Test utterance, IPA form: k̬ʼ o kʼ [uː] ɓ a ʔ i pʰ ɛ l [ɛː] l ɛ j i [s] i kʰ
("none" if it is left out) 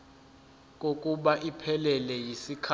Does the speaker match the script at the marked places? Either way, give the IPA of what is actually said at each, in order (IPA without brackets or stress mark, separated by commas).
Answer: u, ɛ, s